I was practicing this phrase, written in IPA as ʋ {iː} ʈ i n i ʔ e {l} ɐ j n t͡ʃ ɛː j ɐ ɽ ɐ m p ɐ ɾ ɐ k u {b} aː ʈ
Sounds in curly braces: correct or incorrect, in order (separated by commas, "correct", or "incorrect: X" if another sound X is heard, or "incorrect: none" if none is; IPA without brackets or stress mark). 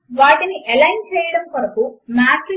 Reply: incorrect: aː, correct, incorrect: m